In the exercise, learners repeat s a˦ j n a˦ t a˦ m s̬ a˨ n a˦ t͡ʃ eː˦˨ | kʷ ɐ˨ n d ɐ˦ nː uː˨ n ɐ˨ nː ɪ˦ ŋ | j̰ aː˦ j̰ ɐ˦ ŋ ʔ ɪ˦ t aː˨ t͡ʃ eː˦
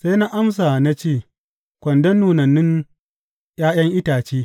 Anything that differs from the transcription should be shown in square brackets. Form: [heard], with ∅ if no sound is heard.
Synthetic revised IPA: s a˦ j n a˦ [ʔ] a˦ m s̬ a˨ n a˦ t͡ʃ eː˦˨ | kʷ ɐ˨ n d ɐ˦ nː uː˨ n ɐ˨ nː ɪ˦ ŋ | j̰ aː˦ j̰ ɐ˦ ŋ ʔ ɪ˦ t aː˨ t͡ʃ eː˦